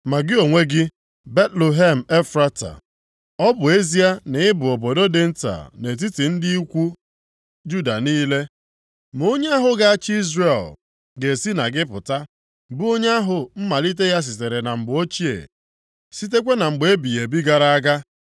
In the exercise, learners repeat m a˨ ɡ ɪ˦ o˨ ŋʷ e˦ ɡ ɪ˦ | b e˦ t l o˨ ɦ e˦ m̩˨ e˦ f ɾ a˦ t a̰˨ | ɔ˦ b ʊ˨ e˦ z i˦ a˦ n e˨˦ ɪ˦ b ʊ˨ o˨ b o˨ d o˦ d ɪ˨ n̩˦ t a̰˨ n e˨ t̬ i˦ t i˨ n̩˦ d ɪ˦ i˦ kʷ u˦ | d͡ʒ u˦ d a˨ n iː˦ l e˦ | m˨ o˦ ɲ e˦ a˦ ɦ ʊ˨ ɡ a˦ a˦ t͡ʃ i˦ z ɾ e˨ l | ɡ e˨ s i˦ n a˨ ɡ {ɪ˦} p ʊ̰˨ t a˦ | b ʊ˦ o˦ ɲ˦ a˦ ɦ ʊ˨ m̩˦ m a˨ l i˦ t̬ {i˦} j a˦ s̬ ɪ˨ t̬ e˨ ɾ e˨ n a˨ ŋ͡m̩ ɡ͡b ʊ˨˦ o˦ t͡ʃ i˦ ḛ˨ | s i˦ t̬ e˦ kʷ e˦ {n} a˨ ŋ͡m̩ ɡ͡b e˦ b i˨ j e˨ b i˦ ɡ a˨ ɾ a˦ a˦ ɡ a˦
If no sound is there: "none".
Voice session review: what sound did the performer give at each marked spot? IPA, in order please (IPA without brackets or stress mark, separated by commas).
ɪ˦, e˦, n